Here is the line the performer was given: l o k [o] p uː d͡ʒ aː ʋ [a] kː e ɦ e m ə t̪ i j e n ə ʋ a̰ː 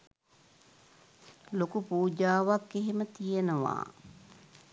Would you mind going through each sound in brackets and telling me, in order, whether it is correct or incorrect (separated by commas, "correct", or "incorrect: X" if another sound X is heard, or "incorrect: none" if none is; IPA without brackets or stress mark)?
incorrect: u, correct